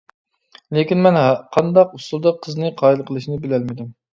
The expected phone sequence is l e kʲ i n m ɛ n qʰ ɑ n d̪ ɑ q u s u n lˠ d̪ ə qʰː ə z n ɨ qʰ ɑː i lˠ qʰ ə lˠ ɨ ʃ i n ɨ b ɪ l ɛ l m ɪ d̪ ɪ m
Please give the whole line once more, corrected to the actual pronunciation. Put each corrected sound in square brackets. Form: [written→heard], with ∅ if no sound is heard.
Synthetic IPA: l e kʲ i n m ɛ n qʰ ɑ n d̪ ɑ q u s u [n→∅] lˠ d̪ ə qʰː ə z n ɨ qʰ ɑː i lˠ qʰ ə lˠ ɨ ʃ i n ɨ b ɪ l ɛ l m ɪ d̪ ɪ m